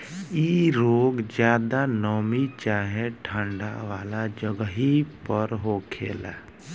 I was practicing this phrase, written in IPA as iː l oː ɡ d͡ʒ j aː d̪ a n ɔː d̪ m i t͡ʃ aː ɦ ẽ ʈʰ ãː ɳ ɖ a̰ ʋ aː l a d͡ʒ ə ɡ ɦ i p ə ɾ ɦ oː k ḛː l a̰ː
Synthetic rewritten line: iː ɾ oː ɡ d͡ʒ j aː d̪ a n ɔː m i t͡ʃ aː ɦ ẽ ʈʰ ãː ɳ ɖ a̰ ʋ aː l a d͡ʒ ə ɡ ɦ i p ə ɾ ɦ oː kʰ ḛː l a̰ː